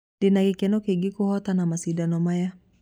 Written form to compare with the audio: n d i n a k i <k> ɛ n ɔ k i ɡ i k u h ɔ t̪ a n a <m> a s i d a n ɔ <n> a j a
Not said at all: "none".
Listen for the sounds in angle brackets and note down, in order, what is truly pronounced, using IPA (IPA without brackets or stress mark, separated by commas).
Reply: k, m, m